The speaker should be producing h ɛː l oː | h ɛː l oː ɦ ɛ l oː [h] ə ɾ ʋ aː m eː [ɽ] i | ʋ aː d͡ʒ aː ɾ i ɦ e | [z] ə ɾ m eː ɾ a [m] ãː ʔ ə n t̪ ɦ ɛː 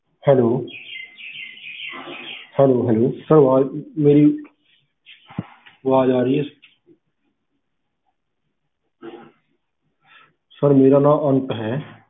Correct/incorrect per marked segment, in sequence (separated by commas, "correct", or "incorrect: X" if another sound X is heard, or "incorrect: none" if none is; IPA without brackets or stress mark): incorrect: s, incorrect: ɾ, incorrect: s, incorrect: n